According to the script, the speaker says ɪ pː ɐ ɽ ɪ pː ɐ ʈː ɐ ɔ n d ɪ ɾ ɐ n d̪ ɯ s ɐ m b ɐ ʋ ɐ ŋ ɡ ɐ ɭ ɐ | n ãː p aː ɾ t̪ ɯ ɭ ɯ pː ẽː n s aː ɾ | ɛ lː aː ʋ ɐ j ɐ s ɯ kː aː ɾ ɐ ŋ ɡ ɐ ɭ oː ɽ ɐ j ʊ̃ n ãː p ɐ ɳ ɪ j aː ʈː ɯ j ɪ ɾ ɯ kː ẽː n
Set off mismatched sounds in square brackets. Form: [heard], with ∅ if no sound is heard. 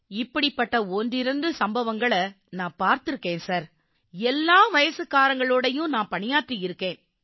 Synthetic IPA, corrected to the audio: ɪ pː ɐ ɽ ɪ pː ɐ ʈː ɐ ɔ n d ɪ ɾ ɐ n d̪ ɯ s ɐ m b ɐ ʋ ɐ ŋ ɡ ɐ ɭ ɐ | n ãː p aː ɾ t̪ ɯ [ɾ] ɯ [kː] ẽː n s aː ɾ | ɛ lː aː ʋ ɐ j ɐ s ɯ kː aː ɾ ɐ ŋ ɡ ɐ ɭ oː ɽ ɐ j ʊ̃ n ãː p ɐ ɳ ɪ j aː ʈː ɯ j ɪ ɾ ɯ kː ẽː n